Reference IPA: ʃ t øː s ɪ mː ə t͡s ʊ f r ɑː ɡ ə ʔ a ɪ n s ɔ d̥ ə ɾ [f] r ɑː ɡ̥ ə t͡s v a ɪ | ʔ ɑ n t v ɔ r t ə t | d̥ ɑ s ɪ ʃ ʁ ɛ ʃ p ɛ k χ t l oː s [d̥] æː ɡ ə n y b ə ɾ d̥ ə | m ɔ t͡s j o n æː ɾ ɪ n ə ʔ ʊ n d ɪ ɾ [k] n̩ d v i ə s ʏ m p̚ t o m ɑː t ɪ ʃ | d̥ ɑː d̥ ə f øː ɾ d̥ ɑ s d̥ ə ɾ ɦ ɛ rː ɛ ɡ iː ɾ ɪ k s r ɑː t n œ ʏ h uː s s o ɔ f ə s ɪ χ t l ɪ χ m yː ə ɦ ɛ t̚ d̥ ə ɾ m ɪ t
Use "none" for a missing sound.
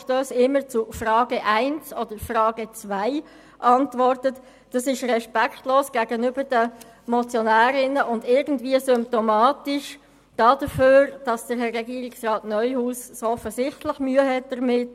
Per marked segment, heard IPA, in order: f, ɡ̥, ɡ

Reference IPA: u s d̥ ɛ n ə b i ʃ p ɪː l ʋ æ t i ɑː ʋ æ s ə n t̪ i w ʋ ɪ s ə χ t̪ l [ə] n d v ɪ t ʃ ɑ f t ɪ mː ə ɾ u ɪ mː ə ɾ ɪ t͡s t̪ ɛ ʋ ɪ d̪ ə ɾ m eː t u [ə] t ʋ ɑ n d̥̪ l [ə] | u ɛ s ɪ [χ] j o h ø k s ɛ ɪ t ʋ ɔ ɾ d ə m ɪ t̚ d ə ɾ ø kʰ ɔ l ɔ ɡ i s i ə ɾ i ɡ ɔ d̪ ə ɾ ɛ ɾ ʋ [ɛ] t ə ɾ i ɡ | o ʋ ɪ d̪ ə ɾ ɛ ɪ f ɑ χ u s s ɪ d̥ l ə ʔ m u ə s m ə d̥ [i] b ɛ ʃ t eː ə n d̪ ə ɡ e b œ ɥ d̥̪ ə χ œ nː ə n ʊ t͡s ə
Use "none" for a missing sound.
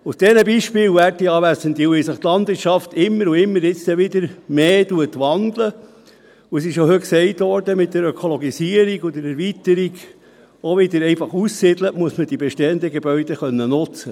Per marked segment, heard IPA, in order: ɑ, ə, ə, ʃ, i, i

